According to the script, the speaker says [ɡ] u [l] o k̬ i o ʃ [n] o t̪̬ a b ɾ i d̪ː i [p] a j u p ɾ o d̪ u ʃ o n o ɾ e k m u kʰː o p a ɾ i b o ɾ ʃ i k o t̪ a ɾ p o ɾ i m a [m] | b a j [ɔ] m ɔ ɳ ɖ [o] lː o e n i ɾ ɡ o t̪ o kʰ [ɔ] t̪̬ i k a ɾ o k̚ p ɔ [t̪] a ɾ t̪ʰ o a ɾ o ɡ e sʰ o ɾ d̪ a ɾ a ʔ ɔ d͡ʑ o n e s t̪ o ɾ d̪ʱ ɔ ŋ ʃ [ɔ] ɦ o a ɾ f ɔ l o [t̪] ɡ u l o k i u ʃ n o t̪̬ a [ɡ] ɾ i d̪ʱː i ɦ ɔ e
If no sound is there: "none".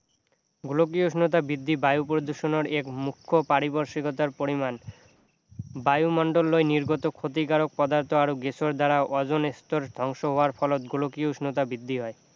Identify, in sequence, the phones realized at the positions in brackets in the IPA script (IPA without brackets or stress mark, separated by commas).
ɡ, l, n, b, n, u, o, o, d̪, o, t̪, b